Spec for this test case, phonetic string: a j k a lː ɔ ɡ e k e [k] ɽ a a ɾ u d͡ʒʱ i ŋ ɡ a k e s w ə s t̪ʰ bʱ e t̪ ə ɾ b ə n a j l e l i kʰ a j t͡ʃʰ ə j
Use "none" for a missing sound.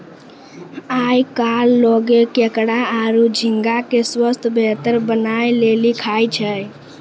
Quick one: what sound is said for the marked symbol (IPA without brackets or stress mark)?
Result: k